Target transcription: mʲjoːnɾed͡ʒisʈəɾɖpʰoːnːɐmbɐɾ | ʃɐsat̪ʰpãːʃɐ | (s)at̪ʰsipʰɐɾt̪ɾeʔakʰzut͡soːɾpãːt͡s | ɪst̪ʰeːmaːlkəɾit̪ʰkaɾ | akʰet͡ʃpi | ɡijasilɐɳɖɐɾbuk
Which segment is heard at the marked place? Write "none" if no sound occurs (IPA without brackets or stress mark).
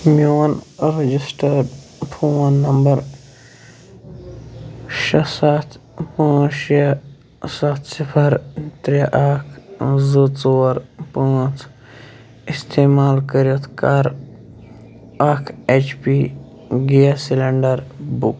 s